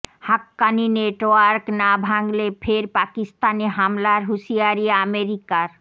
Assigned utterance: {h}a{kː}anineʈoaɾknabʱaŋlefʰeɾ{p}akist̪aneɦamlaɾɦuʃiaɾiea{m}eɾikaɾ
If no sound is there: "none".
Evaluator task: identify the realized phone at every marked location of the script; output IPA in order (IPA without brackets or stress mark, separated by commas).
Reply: h, kː, p, m